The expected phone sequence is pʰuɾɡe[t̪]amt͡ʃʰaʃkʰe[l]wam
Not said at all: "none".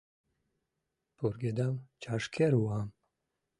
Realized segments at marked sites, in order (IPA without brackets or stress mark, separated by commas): d̪, ɾ